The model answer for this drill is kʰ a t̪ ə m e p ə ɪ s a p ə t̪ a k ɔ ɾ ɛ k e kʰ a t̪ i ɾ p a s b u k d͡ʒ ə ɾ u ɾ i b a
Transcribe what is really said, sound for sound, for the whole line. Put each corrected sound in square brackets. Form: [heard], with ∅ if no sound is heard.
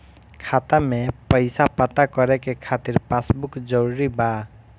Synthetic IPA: kʰ a t̪ [a] m e p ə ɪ s a p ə t̪ a k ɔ ɾ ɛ k e kʰ a t̪ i ɾ p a s b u k d͡ʒ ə ɾ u ɾ i b a